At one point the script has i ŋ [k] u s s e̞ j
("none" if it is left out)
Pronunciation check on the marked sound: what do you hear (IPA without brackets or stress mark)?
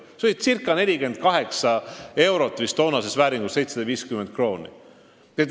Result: ɡ